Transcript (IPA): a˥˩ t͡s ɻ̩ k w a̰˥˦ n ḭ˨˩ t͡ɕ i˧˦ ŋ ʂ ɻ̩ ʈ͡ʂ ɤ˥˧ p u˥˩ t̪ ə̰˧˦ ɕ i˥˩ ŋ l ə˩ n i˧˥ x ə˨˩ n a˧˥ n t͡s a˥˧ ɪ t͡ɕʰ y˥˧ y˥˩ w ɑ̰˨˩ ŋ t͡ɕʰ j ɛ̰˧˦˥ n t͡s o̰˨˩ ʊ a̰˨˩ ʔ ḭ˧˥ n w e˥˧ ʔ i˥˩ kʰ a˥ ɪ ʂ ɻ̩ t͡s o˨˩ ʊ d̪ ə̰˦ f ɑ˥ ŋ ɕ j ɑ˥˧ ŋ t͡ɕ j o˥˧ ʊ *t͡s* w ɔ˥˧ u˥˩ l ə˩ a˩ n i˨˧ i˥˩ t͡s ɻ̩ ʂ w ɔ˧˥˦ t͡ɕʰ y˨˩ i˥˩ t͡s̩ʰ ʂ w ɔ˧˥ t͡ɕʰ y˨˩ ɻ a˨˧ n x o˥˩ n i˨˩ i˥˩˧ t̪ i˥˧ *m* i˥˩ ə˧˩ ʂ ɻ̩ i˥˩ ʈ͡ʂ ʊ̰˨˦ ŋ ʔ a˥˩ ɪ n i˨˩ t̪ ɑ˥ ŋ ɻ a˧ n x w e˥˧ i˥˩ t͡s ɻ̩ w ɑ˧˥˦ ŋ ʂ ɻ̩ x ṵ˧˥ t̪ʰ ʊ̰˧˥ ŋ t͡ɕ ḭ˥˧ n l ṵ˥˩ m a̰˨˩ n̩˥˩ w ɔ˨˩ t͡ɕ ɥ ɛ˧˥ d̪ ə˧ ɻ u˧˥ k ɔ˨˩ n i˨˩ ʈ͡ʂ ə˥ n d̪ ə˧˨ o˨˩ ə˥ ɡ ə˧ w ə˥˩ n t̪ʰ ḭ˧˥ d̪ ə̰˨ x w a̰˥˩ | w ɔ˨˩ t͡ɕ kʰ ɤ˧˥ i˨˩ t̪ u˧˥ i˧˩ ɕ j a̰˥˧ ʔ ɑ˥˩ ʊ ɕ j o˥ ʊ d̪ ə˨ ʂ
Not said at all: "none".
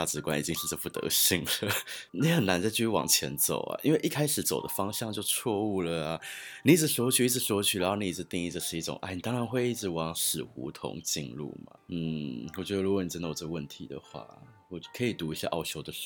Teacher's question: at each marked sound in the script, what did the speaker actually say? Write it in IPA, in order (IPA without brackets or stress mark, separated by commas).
t͡sʰ, ŋ